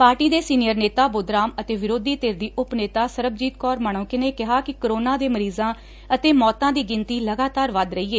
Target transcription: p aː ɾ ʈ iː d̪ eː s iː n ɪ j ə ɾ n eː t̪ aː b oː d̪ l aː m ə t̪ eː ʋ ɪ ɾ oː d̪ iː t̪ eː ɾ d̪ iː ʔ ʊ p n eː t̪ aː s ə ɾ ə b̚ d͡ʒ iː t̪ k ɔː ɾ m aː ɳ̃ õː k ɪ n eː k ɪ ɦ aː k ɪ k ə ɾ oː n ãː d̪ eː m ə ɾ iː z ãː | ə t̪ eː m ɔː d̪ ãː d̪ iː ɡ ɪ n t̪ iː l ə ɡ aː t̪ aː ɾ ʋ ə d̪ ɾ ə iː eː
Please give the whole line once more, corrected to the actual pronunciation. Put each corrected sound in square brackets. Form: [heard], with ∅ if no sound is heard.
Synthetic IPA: p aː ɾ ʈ iː d̪ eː s iː n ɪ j ə ɾ n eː t̪ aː b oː d̪ [ɾ] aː m ə t̪ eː ʋ ɪ ɾ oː d̪ iː t̪ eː ɾ d̪ iː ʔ ʊ p n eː t̪ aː s ə ɾ ə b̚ d͡ʒ iː t̪ k ɔː ɾ m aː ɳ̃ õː k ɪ n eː k ɪ ɦ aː k ɪ k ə ɾ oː n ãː d̪ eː m ə ɾ iː z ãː | ə t̪ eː m ɔː [t̪] ãː d̪ iː ɡ ɪ n t̪ iː l ə ɡ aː t̪ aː ɾ ʋ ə d̪ ɾ ə iː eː